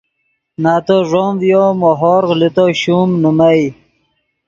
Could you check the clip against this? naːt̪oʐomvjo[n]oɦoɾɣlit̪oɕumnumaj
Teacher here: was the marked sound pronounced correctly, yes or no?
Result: no